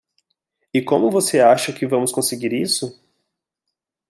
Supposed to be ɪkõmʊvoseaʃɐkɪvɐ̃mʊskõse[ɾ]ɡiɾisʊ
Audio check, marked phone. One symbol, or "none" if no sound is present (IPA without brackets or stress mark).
none